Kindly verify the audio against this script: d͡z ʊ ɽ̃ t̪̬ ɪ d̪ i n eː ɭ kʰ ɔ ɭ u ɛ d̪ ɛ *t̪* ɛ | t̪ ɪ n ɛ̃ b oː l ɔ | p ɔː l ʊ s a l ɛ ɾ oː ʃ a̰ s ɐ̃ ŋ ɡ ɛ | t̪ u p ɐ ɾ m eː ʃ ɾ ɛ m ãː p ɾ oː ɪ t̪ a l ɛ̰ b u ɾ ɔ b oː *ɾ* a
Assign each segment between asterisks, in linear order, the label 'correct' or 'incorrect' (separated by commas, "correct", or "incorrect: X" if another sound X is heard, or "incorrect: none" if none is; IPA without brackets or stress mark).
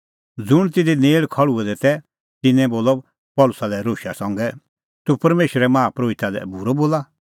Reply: correct, incorrect: l